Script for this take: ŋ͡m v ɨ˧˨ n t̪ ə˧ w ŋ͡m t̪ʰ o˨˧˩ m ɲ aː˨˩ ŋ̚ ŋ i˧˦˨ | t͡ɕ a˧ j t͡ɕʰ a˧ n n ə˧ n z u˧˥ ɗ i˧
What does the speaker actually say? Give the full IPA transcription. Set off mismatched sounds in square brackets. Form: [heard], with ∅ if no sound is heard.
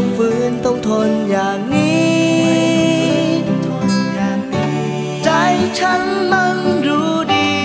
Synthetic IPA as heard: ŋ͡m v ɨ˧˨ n t̪ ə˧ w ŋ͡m t̪ʰ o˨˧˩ [n] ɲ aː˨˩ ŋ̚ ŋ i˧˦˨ | t͡ɕ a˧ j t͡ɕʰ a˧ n [m] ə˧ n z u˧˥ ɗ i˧